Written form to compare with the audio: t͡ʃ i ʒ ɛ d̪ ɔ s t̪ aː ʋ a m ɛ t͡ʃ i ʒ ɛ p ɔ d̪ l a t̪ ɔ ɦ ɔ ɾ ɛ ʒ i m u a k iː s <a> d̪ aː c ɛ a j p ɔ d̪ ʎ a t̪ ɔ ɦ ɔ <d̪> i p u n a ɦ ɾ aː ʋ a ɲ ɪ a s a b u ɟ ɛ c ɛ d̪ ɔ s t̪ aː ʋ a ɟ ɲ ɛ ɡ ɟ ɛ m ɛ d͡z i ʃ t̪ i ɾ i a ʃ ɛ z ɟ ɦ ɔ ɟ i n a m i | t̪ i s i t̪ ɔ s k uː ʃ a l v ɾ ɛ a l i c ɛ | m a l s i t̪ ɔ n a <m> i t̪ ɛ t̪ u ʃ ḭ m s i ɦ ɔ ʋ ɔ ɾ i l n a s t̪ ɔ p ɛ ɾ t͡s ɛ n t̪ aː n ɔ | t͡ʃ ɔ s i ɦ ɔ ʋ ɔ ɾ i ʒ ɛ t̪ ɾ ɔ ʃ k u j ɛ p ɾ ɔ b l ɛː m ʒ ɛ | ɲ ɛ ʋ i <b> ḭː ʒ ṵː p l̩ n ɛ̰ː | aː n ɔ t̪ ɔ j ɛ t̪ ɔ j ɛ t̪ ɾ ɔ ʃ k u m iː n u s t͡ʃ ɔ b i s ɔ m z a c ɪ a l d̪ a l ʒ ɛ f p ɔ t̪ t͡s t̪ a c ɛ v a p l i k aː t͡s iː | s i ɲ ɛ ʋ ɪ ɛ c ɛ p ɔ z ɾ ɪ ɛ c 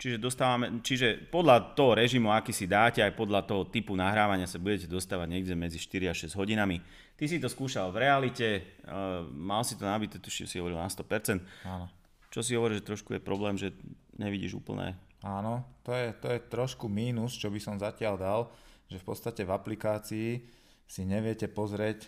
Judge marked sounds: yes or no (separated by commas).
no, no, no, no